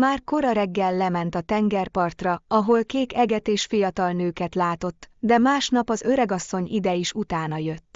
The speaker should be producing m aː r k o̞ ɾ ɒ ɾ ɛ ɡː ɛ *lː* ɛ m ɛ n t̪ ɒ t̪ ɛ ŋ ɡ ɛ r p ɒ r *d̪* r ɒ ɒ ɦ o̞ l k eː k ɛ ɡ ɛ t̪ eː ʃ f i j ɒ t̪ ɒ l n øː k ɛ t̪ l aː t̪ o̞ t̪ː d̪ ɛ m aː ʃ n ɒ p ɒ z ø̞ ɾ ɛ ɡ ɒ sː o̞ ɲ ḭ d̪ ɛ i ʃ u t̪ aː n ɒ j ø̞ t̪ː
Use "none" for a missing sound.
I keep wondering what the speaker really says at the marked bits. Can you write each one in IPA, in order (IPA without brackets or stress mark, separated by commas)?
lː, t̪